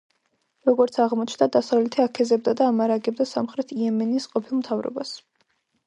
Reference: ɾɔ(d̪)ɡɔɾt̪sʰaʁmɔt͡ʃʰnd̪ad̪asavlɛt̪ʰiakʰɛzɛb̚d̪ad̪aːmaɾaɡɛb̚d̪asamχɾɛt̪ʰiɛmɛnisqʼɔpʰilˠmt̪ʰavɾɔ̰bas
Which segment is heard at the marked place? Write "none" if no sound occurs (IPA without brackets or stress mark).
none